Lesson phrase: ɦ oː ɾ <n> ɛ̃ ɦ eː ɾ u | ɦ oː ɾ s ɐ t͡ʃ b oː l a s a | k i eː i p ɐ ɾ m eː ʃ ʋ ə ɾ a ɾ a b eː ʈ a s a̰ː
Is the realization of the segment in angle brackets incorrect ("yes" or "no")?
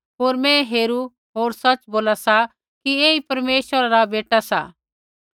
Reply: yes